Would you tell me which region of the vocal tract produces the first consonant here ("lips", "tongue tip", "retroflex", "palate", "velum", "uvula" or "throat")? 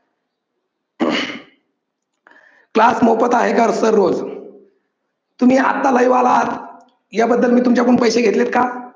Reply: velum